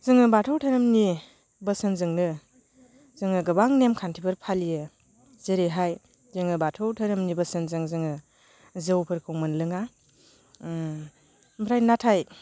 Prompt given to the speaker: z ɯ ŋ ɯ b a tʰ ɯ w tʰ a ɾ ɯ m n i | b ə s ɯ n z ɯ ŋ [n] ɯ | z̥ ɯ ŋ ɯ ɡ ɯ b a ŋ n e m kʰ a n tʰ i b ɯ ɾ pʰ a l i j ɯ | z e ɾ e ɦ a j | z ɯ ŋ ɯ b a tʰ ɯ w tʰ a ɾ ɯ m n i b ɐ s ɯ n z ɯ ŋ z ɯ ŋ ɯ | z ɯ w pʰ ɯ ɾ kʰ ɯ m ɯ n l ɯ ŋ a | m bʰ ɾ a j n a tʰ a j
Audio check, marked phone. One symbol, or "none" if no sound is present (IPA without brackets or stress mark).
n